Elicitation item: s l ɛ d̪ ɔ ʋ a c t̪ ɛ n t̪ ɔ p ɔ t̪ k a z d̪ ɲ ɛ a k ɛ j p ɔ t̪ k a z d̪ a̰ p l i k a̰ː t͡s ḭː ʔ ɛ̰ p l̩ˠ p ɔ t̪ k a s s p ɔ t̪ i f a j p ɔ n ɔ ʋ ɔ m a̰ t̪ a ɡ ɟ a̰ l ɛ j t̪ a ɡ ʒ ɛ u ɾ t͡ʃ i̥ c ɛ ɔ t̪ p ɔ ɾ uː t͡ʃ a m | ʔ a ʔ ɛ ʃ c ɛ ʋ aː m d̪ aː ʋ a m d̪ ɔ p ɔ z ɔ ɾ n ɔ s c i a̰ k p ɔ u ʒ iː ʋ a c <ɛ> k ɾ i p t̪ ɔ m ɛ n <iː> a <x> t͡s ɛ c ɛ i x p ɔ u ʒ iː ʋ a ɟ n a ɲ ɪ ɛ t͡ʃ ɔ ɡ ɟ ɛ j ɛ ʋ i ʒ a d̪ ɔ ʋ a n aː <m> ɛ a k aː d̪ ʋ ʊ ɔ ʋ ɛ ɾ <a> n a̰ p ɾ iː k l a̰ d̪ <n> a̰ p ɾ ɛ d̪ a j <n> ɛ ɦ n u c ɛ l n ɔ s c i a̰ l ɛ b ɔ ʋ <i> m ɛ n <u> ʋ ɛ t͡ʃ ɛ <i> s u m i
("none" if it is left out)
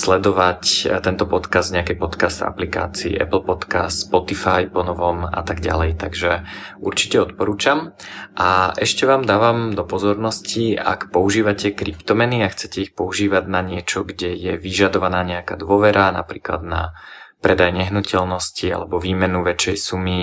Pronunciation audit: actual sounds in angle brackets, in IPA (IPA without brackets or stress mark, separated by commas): ɛ, i, x, ɲ, a, n, ɲ, iː, u, j